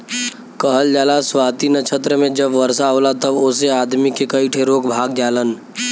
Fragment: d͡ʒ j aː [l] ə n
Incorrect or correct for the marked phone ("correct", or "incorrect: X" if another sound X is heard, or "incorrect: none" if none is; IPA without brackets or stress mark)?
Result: correct